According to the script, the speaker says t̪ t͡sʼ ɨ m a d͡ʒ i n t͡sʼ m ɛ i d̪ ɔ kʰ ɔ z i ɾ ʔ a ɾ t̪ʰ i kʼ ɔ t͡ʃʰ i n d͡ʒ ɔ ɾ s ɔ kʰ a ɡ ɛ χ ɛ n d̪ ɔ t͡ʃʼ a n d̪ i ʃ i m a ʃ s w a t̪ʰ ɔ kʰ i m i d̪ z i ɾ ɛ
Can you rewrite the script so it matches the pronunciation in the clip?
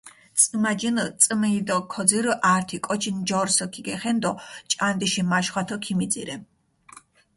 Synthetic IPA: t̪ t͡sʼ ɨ m a d͡ʒ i n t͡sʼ m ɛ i d̪ ɔ kʰ ɔ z i ɾ ʔ a ɾ t̪ʰ i kʼ ɔ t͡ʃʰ i n d͡ʒ ɔ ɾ s ɔ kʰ i ɡ ɛ χ ɛ n d̪ ɔ t͡ʃʼ a n d̪ i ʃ i m a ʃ χ w a t̪ʰ ɔ kʰ i m i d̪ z i ɾ ɛ